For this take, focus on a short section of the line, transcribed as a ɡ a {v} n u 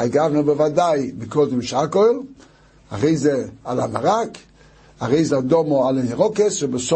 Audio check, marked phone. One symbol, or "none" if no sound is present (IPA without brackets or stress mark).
v